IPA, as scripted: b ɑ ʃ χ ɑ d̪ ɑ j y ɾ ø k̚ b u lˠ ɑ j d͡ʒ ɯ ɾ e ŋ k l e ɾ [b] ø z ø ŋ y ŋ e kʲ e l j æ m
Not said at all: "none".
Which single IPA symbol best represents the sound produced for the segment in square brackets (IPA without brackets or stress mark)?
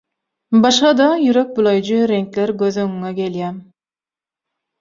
ɡ